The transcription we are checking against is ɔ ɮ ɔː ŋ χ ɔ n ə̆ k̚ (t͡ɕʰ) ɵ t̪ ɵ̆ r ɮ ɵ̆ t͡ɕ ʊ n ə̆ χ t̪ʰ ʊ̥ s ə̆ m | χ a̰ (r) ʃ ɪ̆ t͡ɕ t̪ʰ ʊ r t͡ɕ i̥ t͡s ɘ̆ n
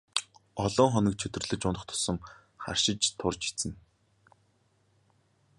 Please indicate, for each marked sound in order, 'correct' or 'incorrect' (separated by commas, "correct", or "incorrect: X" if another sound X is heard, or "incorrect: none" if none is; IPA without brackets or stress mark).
correct, correct